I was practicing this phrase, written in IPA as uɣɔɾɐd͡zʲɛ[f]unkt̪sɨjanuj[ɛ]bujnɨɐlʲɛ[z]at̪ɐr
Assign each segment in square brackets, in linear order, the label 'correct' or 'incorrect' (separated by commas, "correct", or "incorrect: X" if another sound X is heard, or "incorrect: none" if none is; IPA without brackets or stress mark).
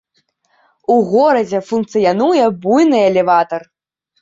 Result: correct, correct, incorrect: v